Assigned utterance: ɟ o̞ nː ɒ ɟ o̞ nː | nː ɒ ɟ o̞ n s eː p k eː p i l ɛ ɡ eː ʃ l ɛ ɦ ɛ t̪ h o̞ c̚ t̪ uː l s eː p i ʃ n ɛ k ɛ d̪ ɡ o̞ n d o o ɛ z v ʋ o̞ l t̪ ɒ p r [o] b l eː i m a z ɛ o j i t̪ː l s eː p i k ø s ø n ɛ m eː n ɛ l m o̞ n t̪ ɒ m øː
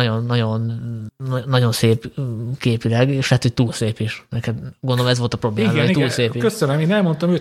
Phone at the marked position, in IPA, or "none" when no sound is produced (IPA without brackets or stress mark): o